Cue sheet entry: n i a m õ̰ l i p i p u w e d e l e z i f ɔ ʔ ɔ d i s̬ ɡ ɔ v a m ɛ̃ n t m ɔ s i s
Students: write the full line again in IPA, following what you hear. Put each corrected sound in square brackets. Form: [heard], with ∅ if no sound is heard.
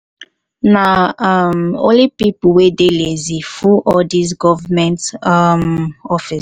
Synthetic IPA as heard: n [a] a m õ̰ l i p i p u w e d e l e z i f [u] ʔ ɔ d i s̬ ɡ ɔ v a m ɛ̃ n t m ɔ [f] i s